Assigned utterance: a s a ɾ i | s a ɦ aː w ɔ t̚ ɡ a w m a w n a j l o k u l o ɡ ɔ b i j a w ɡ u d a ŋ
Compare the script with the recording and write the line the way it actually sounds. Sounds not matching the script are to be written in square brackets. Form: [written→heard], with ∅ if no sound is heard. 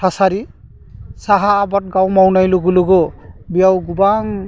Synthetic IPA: a s a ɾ i | s a ɦ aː [w→b] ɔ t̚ ɡ a w m a w n a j l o [k→ɡ] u l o ɡ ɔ b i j a w ɡ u [d→b] a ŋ